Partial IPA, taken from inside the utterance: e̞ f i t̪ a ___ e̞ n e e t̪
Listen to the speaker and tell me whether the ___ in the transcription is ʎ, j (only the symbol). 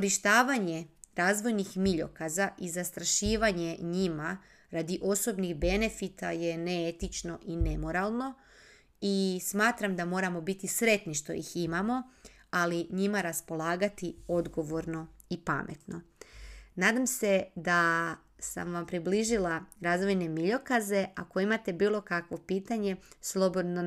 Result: j